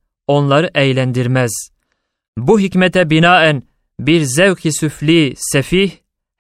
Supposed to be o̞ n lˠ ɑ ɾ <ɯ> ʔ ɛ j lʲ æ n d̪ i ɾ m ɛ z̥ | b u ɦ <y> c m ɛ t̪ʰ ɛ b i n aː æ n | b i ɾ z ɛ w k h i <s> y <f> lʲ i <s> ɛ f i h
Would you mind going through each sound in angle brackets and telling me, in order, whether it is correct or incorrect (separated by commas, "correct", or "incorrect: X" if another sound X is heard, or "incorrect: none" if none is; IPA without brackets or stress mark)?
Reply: correct, incorrect: i, correct, correct, correct